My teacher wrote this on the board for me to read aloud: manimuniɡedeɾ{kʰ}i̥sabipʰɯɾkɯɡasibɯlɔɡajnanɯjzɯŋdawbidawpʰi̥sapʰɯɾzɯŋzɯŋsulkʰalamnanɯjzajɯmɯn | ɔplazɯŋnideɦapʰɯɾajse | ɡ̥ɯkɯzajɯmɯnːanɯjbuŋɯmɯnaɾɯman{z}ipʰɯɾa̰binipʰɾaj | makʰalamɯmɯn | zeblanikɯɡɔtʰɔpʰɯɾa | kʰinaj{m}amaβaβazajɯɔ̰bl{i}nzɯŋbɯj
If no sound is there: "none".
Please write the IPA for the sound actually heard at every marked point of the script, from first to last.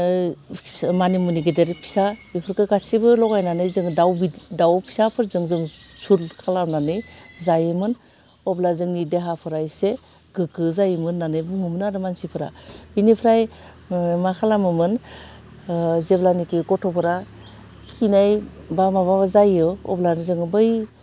pʰ, s, b, a

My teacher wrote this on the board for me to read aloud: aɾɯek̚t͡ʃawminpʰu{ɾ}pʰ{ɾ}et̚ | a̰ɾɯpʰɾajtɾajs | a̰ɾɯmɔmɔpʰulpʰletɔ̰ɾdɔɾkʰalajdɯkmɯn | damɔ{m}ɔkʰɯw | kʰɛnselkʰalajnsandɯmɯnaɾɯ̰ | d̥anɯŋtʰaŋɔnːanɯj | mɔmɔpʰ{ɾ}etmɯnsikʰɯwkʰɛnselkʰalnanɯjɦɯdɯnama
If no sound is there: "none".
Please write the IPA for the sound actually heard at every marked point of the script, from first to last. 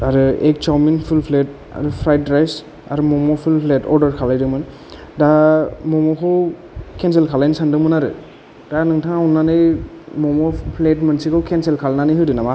l, l, m, l

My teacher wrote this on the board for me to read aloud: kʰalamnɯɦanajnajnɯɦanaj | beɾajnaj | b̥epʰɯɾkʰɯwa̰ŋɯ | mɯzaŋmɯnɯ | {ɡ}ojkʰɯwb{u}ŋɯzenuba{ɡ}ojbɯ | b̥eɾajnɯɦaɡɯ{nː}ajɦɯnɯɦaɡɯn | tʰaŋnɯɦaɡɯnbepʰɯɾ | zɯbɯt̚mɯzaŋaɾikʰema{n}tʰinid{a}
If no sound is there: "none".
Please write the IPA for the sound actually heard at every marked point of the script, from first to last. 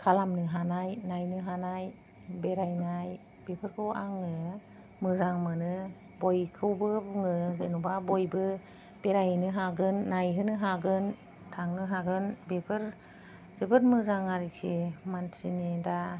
b, ɯ, b, nː, n, a

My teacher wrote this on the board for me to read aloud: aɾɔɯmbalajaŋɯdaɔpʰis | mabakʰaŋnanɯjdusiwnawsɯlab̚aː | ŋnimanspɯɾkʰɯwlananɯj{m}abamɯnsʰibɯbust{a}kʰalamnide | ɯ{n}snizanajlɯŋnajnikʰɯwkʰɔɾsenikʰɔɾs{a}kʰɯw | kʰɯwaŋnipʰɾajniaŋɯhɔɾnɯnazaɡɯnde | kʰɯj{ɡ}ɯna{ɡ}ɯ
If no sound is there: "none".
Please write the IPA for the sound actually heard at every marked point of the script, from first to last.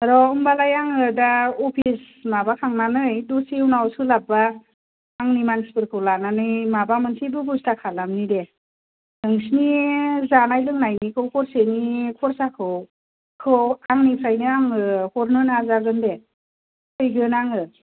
m, a, ŋ, a, ɡ, ŋ

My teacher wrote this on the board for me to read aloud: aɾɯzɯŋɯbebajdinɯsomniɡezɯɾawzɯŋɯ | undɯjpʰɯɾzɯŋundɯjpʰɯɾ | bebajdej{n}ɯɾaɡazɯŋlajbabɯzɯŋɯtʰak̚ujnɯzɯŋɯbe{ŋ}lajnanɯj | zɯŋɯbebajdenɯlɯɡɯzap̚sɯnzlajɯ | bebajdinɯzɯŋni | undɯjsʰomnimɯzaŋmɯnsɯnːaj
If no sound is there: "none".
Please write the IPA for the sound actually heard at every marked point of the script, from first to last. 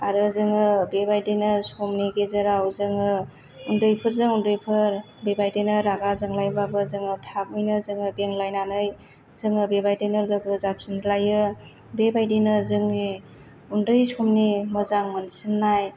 n, ŋ

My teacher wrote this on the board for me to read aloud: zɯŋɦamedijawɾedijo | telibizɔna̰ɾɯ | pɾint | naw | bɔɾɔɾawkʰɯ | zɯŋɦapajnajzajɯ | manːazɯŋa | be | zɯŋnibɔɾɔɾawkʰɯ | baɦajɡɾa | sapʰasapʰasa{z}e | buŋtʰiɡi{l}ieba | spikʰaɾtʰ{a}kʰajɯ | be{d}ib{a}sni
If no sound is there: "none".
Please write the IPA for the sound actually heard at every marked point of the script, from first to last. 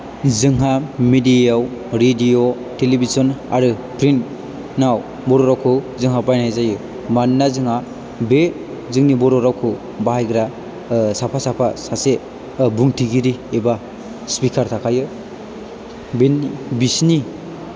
s, ɾ, a, n, i

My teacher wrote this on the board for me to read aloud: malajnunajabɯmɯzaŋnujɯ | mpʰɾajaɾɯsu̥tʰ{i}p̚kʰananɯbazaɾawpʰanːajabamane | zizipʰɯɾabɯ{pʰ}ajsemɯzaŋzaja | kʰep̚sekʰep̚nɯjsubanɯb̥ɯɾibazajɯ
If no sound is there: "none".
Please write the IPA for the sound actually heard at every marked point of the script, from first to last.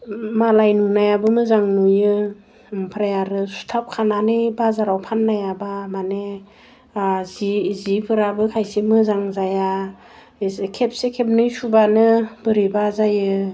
a, kʰ

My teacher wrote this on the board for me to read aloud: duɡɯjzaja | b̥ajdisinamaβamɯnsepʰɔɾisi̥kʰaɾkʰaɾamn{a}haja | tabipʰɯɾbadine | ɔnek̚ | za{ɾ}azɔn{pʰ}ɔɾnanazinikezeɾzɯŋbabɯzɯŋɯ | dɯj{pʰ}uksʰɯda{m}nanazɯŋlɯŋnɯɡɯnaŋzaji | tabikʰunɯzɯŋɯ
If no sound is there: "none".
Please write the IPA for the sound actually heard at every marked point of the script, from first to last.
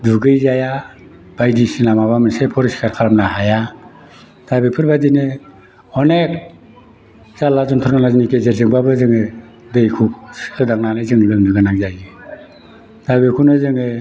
a, l, tʰ, kʰ, ŋ

